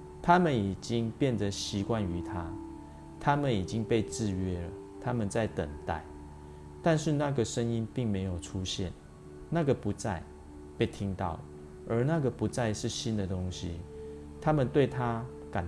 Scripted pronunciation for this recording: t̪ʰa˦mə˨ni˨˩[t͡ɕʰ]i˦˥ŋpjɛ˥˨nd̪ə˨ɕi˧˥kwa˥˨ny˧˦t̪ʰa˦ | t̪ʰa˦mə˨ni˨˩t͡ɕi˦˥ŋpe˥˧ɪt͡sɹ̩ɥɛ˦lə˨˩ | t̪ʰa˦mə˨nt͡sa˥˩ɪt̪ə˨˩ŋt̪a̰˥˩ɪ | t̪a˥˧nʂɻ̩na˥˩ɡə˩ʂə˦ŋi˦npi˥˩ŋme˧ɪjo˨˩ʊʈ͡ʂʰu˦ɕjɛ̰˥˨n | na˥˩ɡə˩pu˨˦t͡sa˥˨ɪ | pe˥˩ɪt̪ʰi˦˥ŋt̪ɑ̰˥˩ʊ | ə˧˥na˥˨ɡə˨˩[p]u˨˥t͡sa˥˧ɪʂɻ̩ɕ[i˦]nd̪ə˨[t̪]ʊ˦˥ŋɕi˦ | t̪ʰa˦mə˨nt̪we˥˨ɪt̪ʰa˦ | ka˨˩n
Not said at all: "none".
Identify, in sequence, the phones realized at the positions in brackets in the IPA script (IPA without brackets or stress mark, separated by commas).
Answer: t͡ɕ, p, i˦, t̪